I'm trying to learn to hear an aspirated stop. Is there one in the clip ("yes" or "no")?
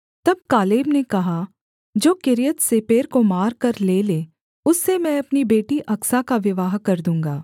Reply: no